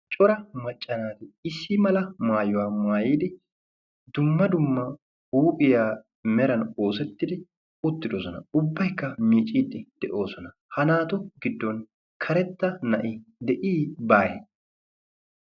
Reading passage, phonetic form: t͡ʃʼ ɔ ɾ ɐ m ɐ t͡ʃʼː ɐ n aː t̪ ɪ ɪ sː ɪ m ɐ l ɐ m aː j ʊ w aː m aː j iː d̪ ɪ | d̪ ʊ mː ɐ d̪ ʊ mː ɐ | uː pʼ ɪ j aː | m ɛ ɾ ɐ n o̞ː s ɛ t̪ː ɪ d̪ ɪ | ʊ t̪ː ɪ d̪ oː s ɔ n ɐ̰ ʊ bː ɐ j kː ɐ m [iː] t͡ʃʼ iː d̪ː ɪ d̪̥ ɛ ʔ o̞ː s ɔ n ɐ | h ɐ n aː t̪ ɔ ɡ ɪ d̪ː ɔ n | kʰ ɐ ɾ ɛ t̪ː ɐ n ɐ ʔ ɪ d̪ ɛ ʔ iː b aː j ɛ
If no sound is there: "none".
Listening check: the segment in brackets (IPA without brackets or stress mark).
iː